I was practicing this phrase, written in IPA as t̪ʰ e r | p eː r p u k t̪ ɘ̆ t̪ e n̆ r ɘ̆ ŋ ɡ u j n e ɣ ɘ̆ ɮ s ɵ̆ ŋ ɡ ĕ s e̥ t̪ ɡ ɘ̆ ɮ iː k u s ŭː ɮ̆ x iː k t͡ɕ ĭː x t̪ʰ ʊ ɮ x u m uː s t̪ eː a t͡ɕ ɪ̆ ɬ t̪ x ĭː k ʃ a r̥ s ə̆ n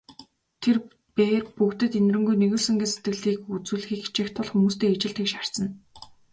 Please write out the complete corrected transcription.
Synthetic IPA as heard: t̪ʰ e r | p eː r p u k t̪ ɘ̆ t̪ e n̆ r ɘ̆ ŋ ɡ u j n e ɣ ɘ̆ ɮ s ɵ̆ ŋ ɡ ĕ s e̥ t̪ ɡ ɘ̆ ɮ iː k u t͡s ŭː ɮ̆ x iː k t͡ɕ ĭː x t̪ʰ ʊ ɮ x u m uː s t̪ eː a t͡ɕ ɪ̆ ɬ t̪ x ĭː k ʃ a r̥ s ə̆ n